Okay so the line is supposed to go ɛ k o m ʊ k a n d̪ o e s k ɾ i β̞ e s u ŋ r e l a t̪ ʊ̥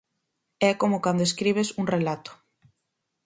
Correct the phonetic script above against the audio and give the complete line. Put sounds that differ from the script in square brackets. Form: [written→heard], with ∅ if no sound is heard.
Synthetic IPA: ɛ k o m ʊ k a n d̪ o e s k ɾ i β̞ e s u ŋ r e l a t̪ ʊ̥